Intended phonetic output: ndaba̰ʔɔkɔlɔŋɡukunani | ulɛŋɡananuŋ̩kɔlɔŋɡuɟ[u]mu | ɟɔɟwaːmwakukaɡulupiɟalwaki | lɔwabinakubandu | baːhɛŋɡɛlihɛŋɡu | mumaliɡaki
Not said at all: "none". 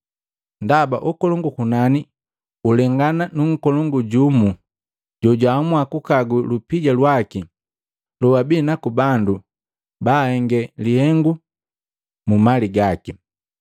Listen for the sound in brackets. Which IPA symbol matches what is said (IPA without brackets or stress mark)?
u